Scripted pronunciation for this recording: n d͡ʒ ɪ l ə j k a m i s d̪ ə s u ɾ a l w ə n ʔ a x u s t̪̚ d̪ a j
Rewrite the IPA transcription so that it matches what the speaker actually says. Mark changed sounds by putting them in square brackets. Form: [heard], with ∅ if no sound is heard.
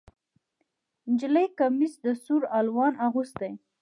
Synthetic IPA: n d͡ʒ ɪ l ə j k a m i s d̪ ə s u ɾ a l w [ɑ] n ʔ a [ɣ] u s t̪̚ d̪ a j